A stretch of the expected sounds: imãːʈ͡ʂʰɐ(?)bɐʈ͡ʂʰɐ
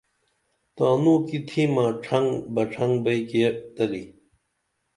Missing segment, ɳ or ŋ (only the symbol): ŋ